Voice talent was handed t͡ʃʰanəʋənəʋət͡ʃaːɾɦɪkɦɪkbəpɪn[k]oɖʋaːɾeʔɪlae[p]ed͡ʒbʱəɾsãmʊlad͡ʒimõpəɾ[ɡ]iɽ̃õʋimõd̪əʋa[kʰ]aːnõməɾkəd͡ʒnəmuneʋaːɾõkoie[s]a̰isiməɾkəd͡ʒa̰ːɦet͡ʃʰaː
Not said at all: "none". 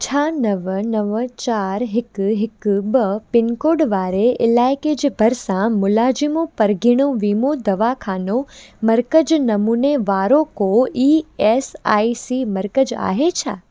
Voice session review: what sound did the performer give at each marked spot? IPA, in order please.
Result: k, k, ɡ, kʰ, s

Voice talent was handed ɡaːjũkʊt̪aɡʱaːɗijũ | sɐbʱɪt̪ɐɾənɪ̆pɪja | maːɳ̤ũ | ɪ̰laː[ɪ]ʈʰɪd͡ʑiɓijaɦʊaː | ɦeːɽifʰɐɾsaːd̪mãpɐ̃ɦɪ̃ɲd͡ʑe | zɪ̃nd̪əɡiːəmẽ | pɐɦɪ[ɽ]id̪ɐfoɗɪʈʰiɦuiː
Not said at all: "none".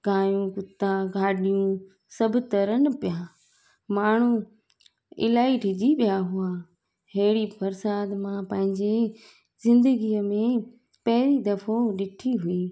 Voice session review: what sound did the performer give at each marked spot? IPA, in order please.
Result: i, ɾ

